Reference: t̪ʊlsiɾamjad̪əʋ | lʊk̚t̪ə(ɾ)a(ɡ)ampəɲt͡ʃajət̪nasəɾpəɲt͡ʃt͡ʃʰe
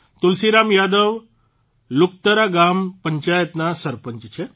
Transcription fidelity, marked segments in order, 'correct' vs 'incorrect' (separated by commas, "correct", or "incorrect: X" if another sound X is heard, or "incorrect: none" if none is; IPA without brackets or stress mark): correct, correct